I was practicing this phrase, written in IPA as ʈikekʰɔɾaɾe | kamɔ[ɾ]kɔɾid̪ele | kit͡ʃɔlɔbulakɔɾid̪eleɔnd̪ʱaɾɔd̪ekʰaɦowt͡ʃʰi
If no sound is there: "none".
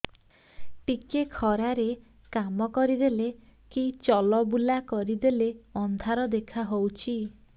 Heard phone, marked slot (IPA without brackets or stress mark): none